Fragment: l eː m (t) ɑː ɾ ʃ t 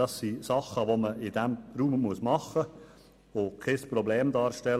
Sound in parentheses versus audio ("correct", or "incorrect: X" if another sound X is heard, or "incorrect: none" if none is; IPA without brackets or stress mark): incorrect: d